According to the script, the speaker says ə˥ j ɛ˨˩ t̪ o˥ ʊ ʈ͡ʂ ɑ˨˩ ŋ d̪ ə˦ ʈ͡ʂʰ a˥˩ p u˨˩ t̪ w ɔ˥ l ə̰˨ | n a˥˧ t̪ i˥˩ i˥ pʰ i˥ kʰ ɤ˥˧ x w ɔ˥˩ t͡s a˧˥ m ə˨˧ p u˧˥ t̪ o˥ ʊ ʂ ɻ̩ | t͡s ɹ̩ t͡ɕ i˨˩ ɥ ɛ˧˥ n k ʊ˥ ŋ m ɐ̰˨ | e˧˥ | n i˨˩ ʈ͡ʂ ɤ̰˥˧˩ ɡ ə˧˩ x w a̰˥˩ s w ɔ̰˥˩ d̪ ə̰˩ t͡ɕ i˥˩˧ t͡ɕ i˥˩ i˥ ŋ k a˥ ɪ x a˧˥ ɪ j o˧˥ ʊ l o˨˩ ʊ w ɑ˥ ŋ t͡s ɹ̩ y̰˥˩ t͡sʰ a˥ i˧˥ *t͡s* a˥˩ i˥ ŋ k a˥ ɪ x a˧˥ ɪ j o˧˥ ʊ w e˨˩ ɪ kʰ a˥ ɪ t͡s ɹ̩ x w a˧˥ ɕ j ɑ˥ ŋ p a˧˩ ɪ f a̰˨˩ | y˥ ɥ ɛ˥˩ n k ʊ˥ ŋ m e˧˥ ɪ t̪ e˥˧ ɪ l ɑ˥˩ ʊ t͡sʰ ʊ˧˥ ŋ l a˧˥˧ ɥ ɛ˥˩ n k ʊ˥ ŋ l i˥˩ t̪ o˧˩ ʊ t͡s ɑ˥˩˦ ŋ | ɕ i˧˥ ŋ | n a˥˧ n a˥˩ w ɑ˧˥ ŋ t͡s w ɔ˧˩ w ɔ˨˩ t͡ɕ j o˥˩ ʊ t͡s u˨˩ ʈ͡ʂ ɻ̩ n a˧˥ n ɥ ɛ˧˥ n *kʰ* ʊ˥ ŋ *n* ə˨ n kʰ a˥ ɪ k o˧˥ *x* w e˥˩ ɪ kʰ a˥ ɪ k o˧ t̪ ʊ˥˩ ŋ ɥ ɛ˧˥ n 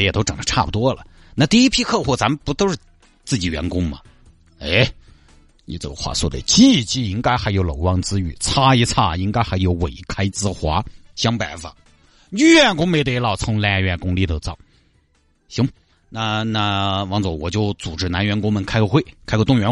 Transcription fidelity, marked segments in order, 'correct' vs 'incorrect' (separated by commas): incorrect, incorrect, incorrect, correct